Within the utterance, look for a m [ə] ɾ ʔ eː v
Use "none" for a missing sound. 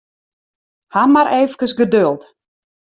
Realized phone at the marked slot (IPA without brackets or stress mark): a